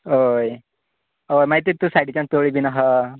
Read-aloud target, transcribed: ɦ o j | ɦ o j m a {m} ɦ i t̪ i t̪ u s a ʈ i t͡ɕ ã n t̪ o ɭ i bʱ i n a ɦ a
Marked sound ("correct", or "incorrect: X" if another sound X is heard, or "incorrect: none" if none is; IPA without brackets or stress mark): incorrect: none